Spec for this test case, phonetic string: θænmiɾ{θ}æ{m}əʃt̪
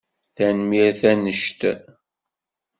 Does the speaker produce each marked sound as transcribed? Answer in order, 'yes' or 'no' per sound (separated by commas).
yes, no